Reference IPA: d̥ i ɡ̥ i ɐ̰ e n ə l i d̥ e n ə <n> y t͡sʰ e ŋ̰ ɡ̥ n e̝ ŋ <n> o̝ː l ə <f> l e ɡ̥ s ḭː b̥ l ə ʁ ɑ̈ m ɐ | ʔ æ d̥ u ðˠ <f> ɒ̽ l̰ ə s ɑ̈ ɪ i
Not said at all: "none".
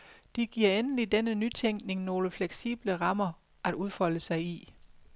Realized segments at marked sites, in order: n, n, f, f

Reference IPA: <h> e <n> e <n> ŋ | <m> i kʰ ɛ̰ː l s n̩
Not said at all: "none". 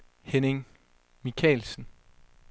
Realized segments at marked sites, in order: h, n, none, m

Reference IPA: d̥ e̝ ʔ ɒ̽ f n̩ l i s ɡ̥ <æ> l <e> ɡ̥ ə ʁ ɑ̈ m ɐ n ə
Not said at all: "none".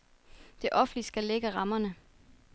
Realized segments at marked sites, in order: æ, e

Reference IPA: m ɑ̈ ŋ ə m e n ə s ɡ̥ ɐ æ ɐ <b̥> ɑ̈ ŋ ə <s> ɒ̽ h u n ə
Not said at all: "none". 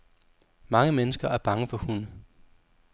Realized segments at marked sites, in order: b̥, f

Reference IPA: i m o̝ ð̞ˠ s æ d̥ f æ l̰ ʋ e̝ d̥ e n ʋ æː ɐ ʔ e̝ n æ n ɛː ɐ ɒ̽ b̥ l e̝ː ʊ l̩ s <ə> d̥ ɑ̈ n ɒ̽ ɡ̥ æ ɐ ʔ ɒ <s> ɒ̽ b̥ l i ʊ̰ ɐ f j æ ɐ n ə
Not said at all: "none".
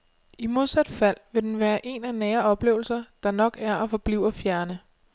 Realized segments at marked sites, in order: ɐ, f

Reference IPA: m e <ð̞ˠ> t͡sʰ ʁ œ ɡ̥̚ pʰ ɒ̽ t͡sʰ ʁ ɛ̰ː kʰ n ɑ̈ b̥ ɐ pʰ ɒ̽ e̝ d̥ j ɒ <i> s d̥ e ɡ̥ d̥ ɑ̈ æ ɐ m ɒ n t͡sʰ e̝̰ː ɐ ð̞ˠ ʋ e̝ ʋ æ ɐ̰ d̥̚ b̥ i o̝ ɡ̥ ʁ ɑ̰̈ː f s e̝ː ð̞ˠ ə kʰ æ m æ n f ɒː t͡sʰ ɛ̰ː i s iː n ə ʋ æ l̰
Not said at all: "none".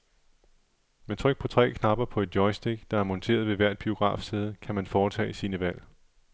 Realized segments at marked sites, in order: none, ɪ

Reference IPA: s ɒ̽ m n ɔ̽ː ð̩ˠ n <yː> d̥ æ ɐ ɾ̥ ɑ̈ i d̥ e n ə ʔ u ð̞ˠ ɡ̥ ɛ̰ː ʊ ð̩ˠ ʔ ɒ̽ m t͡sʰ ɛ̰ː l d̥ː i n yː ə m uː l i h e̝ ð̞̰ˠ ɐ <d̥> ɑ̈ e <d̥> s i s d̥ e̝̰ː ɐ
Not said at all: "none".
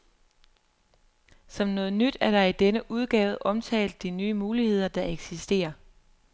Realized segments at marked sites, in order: y, d̥, ɡ̥

